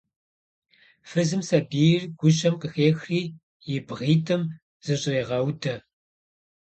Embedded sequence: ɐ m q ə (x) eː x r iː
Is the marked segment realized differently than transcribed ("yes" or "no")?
no